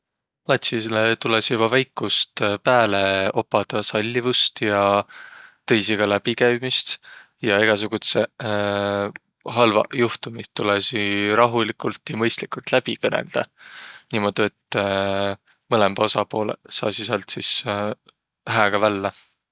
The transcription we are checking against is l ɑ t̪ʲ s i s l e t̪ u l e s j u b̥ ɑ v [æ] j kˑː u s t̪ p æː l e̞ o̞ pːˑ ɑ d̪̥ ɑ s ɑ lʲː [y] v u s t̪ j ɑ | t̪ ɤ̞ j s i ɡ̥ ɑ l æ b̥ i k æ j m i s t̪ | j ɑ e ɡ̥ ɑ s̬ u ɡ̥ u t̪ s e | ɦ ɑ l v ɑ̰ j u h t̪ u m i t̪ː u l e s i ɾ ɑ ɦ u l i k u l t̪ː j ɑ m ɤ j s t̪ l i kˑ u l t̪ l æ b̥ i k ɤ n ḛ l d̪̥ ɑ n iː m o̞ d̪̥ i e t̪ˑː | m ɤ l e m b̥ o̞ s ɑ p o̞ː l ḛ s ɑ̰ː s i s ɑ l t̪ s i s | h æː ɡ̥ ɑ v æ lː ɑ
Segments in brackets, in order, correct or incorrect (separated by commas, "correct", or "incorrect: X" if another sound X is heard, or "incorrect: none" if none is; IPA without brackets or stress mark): correct, incorrect: i